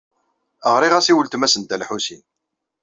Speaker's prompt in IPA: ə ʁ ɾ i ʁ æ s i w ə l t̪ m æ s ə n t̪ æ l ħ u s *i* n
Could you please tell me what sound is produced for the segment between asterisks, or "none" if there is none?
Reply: i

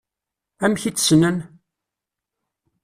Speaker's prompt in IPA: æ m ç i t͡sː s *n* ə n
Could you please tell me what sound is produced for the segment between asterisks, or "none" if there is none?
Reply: n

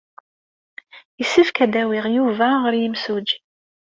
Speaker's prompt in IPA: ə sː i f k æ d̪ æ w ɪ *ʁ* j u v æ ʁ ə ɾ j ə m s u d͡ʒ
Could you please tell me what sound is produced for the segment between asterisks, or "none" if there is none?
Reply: ʁ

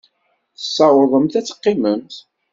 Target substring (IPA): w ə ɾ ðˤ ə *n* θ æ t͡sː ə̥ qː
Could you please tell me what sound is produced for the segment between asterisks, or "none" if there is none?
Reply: m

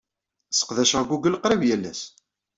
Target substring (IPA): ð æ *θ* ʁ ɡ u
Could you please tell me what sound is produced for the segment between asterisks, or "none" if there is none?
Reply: ʃ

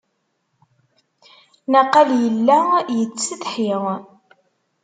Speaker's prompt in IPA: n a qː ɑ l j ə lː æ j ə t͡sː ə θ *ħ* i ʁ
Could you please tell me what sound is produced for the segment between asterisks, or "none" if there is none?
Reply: ħ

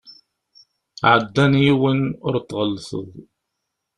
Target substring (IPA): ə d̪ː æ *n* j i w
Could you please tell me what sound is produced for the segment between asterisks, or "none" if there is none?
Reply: n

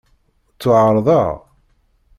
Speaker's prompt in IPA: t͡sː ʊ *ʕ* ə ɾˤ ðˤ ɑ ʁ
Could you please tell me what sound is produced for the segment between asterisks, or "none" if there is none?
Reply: ʕ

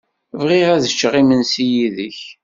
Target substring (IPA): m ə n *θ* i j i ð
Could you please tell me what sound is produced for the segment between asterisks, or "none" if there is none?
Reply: s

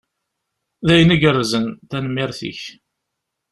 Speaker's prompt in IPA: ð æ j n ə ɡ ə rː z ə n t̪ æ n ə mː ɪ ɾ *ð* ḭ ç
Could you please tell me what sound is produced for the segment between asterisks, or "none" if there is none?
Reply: θ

